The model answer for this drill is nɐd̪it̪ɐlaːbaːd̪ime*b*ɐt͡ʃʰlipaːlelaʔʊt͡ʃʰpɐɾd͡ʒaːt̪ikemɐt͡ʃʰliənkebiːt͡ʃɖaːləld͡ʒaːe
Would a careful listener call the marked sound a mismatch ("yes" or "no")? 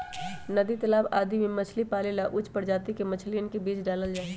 yes